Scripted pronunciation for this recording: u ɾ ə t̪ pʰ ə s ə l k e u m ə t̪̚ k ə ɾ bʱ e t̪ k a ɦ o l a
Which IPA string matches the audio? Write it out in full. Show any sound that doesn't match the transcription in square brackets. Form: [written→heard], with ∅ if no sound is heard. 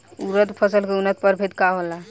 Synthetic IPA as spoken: u ɾ ə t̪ pʰ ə s ə l k e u [m→n] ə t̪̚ [k→p] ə ɾ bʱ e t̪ k a ɦ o l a